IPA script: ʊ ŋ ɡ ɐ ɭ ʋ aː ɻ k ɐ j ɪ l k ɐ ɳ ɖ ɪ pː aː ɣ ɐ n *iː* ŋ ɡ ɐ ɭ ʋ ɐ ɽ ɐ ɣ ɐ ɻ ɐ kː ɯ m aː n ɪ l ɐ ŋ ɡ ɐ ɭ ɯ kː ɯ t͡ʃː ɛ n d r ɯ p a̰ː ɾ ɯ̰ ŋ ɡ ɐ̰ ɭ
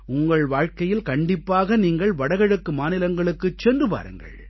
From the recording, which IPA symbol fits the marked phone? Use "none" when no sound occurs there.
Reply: iː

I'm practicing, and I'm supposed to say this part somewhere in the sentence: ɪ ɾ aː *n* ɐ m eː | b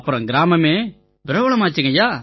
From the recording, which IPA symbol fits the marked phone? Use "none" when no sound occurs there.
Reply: m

